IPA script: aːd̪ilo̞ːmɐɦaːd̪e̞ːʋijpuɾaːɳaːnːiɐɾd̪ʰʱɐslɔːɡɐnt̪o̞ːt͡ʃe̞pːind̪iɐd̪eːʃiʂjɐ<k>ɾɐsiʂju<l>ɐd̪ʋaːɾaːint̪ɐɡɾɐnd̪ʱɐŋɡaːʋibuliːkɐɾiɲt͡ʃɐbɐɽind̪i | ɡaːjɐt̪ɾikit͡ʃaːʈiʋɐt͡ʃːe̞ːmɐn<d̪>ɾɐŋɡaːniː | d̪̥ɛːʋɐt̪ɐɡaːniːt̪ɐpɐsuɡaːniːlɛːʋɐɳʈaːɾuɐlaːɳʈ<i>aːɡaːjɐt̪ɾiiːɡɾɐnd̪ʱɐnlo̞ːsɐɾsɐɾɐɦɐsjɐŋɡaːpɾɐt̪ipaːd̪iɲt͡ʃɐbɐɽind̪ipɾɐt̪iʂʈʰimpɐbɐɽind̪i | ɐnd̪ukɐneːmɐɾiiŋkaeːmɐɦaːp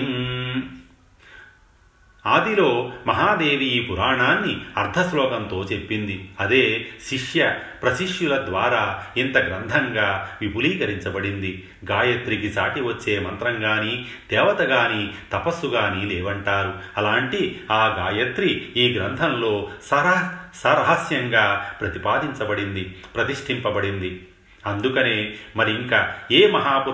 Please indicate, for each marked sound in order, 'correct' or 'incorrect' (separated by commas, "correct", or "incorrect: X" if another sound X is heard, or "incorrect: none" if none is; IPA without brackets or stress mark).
incorrect: p, correct, incorrect: t̪, correct